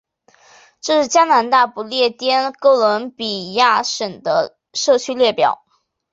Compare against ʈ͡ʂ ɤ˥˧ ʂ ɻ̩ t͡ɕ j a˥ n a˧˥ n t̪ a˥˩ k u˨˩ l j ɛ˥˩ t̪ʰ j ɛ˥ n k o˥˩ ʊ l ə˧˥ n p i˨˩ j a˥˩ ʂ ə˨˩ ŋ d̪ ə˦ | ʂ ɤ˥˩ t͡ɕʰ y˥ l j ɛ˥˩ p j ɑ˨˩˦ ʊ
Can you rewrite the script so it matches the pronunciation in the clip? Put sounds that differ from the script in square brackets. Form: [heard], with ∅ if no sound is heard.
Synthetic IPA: ʈ͡ʂ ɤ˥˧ ʂ ɻ̩ t͡ɕ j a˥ n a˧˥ n t̪ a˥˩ [p] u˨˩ l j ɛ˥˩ [t̪] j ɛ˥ n k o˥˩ ʊ l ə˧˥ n p i˨˩ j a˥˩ ʂ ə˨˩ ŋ d̪ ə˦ | ʂ ɤ˥˩ t͡ɕʰ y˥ l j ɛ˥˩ p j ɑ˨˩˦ ʊ